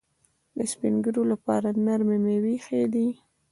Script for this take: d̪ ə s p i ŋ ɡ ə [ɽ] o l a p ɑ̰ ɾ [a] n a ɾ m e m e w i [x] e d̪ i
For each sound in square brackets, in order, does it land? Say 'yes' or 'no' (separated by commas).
no, yes, yes